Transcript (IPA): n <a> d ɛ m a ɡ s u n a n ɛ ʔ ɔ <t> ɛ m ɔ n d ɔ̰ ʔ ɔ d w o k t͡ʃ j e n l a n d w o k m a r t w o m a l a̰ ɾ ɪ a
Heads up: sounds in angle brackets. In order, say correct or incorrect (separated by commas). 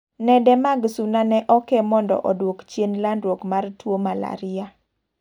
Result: incorrect, incorrect